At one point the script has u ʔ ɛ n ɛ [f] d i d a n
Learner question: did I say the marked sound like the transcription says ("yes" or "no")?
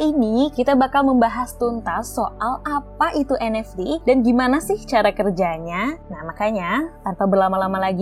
yes